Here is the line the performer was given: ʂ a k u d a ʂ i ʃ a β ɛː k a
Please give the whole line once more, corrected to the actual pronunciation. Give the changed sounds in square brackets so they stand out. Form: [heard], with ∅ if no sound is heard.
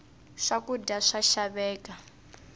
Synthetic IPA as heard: ʂ a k u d a ʂ [a] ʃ a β ɛː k a